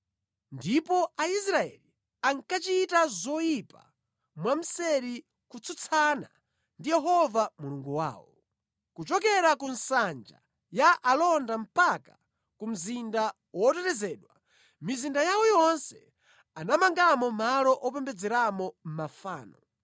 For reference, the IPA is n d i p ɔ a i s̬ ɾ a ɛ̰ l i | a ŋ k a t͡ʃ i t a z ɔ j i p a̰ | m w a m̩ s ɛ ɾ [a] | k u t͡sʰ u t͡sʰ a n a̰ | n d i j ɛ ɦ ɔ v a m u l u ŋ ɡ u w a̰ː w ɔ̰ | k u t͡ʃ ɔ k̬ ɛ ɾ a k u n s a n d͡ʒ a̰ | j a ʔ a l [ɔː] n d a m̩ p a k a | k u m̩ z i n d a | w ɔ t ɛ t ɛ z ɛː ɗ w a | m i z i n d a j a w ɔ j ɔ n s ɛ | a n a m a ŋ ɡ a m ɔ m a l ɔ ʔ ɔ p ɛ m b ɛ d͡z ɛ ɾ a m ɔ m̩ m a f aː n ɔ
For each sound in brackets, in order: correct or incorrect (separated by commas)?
incorrect, incorrect